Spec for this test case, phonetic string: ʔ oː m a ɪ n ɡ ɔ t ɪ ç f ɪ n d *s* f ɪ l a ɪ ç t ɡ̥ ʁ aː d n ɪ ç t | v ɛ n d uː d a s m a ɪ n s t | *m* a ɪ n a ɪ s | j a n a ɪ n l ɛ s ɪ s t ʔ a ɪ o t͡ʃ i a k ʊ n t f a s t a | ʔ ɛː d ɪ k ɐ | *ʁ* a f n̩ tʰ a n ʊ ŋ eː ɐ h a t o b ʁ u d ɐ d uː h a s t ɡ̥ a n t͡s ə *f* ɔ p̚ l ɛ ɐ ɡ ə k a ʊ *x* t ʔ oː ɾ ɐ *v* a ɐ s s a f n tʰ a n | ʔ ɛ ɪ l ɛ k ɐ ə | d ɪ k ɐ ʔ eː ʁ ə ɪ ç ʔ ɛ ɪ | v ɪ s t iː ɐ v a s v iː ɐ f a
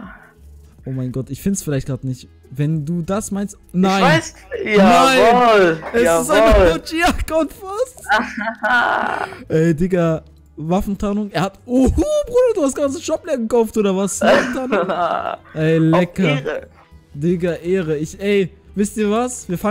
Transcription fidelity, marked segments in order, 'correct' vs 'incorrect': correct, incorrect, incorrect, incorrect, incorrect, correct

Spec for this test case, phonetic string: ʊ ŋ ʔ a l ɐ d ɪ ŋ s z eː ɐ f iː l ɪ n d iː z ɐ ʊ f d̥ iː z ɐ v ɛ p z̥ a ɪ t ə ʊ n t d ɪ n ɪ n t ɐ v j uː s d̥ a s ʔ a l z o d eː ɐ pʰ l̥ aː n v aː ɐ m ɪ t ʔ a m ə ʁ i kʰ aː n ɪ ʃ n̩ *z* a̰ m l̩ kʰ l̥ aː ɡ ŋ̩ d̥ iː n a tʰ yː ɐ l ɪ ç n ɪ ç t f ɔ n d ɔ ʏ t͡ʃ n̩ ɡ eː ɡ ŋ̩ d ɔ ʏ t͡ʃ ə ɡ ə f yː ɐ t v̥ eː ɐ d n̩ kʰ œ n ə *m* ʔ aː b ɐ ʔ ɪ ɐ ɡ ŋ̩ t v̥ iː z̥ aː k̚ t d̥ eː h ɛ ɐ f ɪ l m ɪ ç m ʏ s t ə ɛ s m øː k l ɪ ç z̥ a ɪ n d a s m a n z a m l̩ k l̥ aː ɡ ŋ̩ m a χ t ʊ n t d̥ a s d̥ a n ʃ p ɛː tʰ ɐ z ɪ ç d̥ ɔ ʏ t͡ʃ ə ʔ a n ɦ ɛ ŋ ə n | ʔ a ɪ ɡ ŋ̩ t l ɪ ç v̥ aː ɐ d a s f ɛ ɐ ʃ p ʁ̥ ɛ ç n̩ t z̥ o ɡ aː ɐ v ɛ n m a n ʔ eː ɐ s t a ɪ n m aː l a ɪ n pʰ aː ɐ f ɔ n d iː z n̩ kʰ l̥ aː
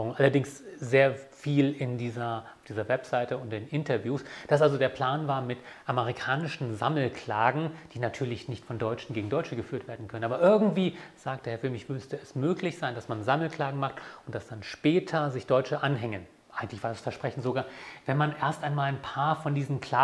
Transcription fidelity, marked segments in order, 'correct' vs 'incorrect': correct, incorrect

